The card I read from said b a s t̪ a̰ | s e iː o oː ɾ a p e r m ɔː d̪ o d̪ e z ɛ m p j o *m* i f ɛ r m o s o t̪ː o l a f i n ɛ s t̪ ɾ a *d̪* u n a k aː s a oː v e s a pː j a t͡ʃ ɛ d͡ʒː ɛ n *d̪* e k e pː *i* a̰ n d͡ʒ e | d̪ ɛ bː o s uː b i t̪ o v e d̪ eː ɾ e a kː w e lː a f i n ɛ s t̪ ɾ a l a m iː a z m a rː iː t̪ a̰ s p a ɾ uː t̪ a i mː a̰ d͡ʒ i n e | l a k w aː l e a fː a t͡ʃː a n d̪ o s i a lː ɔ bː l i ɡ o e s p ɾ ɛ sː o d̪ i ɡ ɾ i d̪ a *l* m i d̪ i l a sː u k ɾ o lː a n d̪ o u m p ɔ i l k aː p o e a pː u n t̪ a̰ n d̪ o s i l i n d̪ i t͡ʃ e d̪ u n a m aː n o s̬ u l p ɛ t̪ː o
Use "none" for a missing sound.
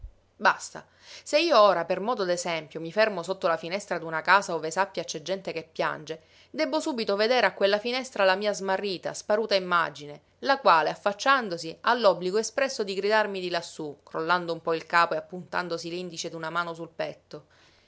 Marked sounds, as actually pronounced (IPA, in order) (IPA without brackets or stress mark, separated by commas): m, d̪, t̪, j, r